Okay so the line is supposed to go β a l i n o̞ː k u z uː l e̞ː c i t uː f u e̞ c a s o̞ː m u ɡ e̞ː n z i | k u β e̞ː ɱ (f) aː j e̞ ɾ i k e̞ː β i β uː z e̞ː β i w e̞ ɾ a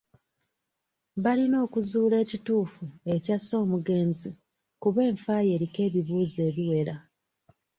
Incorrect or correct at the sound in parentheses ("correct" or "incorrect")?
correct